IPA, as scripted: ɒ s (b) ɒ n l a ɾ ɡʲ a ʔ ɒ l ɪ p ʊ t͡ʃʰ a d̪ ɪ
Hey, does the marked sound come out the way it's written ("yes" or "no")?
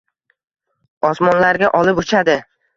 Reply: no